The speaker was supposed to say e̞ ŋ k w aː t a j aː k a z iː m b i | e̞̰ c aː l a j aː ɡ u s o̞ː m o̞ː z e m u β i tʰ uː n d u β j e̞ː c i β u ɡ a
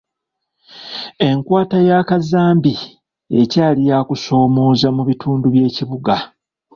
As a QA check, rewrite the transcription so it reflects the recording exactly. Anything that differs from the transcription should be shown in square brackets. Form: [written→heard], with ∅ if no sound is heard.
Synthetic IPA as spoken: e̞ ŋ k w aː t a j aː k a z [iː→aː] m b i | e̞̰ c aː l [a→i] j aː [ɡ→k] u s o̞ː m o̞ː z [e→a] m u β i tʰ uː n d u β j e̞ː c i β u ɡ a